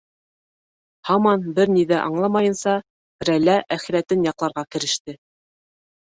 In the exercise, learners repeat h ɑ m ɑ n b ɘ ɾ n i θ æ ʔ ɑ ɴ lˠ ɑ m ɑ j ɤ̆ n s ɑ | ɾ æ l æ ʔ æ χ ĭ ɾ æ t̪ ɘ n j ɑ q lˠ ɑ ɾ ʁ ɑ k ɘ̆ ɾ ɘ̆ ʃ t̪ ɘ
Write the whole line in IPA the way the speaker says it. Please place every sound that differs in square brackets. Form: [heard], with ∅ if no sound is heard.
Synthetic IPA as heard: h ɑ m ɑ n b ɘ ɾ n i [ð] æ ʔ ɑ ɴ lˠ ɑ m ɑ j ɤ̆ n s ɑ | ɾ æ l æ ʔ æ χ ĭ ɾ æ t̪ ɘ n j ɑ q lˠ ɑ ɾ ʁ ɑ k ɘ̆ ɾ ɘ̆ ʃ t̪ ɘ